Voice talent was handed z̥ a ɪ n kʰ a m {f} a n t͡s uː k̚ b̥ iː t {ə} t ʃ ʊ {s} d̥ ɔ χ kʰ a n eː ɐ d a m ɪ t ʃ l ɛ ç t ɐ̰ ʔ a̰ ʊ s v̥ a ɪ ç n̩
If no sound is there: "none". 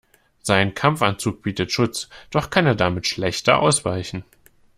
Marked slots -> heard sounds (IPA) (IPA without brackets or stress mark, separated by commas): f, ə, t͡s